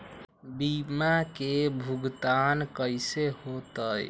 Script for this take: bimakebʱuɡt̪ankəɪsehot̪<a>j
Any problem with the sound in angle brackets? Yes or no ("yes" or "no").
yes